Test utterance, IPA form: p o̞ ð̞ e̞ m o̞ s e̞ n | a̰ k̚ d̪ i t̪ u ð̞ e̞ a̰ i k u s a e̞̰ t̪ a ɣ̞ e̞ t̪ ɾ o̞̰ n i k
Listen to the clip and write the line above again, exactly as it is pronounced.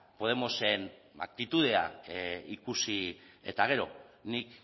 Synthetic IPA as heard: p o̞ ð̞ e̞ m o̞ s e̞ n | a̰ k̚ t̪ i t̪ u ð̞ e̞ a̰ i k u s i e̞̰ t̪ a ɣ̞ e̞ ɾ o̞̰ n i k